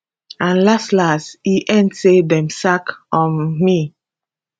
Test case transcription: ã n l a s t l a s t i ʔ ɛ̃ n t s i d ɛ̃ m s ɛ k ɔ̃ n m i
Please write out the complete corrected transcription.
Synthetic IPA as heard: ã n l a s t l a s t i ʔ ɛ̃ n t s e d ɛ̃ m s a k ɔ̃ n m i